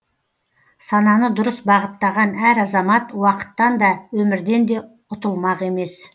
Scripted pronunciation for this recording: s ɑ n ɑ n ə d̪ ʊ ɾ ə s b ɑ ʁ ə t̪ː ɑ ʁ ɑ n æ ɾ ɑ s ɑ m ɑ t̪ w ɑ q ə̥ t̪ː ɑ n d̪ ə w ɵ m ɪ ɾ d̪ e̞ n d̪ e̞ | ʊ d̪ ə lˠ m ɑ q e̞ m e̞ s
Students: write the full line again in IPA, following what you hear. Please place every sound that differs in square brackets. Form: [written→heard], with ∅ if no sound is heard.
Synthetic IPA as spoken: s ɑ n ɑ n ə d̪ ʊ ɾ ə s b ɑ ʁ ə t̪ː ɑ ʁ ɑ n æ ɾ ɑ [s→z] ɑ m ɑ t̪ w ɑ q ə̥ t̪ː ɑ n d̪ [ə→ɑ] w ɵ m ɪ ɾ d̪ e̞ n d̪ e̞ | ʊ [d̪→t̪] ə lˠ m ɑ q e̞ m e̞ s